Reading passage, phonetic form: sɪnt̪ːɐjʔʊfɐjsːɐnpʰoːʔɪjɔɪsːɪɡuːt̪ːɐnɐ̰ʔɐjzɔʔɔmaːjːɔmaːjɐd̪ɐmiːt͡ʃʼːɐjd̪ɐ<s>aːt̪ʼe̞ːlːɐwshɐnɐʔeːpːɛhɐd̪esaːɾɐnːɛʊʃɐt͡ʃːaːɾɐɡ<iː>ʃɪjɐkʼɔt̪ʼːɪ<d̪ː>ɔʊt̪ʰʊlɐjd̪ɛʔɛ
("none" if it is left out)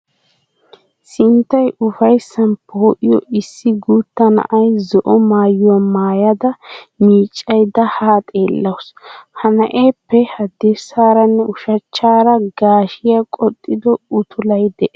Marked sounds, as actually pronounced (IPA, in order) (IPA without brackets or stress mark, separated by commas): h, aː, d̪